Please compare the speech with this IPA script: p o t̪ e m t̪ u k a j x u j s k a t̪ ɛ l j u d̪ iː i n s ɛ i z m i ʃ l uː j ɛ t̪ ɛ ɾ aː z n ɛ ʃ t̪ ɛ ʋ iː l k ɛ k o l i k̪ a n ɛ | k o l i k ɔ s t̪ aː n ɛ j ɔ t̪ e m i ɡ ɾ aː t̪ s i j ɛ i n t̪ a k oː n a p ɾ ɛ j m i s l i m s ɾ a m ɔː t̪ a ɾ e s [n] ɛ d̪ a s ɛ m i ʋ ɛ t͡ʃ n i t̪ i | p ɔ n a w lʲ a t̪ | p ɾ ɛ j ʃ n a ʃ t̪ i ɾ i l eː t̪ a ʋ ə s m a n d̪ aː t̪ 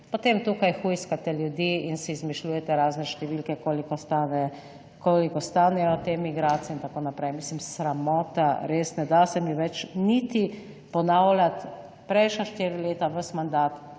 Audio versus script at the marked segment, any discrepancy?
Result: no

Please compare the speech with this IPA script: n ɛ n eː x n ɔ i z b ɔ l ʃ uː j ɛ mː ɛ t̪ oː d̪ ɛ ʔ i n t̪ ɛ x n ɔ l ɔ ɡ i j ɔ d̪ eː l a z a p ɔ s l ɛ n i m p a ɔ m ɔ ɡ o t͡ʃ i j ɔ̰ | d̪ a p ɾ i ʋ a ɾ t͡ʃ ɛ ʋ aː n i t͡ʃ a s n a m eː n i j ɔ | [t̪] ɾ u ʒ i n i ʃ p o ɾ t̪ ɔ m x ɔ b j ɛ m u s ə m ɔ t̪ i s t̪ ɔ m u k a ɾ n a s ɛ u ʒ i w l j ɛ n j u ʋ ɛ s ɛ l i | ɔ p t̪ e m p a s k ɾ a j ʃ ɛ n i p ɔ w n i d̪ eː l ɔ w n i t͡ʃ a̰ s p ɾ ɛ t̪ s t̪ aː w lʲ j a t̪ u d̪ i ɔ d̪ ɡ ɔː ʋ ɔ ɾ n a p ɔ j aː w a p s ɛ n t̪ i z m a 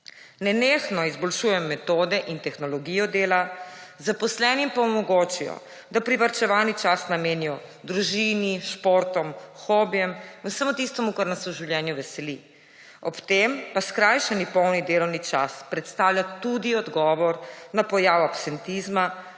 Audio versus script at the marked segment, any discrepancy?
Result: yes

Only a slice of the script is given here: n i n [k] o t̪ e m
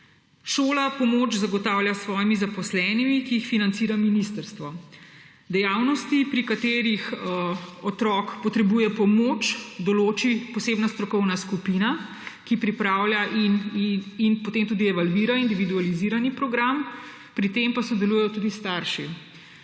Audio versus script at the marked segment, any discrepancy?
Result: yes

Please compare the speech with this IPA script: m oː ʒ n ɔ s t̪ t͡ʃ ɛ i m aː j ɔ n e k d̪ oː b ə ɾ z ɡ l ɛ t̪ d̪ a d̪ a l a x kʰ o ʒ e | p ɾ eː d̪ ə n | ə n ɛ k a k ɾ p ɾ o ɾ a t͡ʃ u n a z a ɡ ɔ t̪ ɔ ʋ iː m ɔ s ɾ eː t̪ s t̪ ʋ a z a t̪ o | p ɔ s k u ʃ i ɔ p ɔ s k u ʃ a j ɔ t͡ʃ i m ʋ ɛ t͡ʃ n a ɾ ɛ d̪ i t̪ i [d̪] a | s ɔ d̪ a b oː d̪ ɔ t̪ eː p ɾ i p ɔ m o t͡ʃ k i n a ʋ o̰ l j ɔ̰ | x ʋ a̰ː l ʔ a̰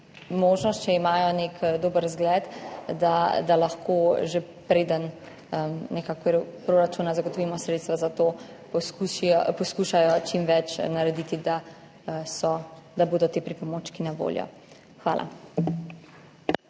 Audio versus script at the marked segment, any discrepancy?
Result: no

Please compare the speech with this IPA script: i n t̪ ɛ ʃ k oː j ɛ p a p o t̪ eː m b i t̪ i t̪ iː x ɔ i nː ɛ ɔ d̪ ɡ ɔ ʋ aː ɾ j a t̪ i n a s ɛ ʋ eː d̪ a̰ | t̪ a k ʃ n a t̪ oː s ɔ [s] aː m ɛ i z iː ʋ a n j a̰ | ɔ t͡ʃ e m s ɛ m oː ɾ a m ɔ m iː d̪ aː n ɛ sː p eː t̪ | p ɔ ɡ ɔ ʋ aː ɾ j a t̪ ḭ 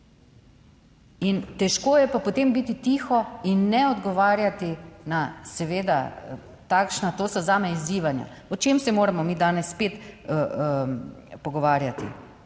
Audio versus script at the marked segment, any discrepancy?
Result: yes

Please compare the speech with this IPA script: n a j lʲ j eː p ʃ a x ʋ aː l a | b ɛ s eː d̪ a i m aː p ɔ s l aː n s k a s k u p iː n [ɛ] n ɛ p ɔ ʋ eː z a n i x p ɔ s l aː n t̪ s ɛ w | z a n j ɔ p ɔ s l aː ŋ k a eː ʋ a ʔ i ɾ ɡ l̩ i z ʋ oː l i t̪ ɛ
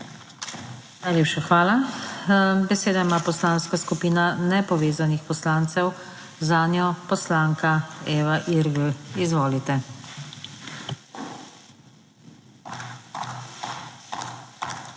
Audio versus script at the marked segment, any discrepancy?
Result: yes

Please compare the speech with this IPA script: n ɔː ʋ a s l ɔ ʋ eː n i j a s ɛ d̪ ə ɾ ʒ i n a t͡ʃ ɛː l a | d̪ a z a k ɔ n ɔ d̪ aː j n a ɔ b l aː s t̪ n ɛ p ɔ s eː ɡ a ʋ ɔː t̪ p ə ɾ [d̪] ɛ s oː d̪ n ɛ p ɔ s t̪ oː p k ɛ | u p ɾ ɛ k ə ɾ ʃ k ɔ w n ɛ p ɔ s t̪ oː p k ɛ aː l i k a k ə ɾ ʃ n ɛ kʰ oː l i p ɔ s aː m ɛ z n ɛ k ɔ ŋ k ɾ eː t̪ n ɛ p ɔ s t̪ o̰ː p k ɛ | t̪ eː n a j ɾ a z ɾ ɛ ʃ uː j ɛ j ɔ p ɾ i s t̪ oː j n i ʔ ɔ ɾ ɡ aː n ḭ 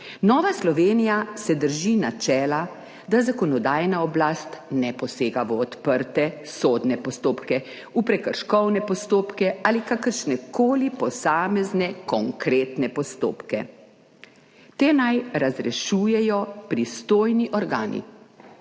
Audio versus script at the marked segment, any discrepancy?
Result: yes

